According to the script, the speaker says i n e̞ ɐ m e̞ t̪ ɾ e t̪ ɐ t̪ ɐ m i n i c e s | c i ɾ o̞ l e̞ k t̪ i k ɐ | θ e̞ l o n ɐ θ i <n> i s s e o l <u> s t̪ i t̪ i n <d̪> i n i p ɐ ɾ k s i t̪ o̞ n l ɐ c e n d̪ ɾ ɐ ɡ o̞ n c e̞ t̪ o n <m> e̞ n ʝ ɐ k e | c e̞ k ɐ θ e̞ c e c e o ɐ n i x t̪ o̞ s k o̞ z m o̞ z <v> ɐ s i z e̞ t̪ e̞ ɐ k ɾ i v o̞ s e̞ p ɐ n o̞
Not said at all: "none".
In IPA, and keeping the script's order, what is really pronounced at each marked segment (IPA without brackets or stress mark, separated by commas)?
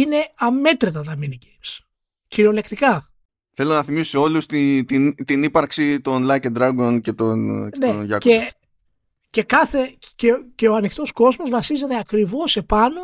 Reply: m, u, t̪, n, v